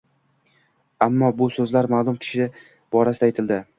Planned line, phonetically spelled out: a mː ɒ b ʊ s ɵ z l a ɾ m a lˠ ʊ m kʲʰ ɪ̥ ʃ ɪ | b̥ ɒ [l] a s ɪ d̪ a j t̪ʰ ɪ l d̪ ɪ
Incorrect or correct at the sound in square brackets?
incorrect: ɾ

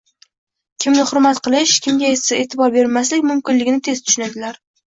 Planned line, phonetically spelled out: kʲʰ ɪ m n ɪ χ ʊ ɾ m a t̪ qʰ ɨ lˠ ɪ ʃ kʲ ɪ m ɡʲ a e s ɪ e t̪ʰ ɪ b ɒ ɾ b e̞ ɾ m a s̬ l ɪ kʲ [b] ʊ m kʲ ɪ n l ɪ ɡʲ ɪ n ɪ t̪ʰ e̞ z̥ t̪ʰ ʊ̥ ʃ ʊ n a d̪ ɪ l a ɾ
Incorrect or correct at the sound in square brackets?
incorrect: m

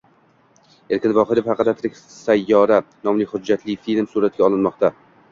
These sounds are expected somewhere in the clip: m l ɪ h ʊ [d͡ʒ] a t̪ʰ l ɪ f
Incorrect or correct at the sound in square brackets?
incorrect: d͡ʒː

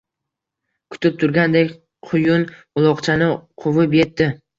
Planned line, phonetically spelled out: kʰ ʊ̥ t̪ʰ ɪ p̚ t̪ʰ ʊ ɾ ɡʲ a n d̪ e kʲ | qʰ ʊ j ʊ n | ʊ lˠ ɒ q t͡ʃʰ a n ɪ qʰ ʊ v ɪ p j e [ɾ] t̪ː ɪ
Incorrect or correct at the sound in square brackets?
incorrect: none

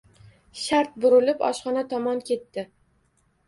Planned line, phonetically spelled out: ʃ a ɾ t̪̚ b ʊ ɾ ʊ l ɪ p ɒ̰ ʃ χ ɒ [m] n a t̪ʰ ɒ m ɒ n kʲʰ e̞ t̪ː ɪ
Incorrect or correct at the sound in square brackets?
incorrect: none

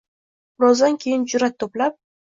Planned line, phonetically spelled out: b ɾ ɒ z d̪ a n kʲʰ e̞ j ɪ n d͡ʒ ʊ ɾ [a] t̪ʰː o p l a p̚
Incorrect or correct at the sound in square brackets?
correct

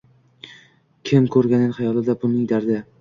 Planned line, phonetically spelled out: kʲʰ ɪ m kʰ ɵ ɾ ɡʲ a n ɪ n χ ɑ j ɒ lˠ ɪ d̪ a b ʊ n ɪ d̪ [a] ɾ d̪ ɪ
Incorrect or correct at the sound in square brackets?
correct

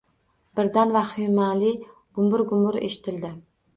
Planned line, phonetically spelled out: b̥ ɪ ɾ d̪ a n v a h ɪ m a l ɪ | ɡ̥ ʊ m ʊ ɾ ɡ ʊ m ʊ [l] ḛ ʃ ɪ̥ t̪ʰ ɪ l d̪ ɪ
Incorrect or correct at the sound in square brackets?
incorrect: ɾ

